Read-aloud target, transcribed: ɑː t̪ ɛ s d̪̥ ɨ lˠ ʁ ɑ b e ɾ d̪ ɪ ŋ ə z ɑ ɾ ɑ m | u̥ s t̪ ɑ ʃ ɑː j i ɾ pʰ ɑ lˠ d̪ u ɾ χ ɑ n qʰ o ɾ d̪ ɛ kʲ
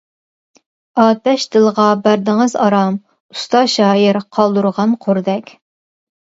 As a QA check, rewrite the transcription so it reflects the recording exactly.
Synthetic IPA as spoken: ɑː t̪ ɛ ʃ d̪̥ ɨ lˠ ʁ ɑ b æ ɾ d̪ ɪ ŋ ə z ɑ ɾ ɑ m | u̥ s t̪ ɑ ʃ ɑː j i ɾ qʰ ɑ lˠ d̪ u ɾ ʁ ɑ n qʰ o ɾ d̪ ɛ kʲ